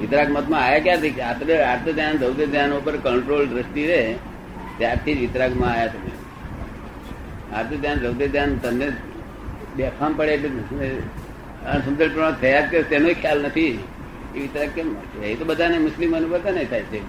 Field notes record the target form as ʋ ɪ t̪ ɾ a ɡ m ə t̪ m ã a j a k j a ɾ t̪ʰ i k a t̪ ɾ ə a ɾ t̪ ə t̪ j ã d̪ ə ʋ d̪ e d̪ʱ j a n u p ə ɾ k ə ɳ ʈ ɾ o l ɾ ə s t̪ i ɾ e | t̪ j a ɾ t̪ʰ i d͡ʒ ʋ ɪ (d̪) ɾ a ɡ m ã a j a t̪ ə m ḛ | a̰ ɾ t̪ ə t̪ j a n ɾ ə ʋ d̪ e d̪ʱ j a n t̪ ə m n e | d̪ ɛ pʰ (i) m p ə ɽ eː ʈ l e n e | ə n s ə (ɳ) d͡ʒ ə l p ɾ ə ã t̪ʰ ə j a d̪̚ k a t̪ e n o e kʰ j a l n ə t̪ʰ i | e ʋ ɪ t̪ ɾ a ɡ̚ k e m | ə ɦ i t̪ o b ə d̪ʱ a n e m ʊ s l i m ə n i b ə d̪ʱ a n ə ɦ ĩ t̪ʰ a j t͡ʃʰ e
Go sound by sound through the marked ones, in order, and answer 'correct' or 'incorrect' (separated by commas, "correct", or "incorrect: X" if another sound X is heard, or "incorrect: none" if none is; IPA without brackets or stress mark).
incorrect: t̪, incorrect: a, incorrect: m